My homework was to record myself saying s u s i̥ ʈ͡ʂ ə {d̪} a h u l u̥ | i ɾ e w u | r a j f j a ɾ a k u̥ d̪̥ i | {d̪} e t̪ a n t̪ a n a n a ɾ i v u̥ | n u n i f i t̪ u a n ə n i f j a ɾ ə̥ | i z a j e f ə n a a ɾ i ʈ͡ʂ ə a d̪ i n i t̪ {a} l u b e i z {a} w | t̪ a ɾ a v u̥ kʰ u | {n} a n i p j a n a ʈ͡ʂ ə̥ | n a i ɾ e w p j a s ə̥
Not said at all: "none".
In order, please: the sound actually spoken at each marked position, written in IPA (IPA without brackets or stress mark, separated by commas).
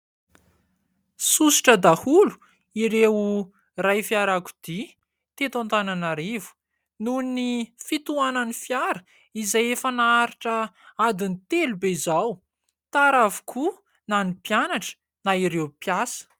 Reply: d̪, t̪, e, a, n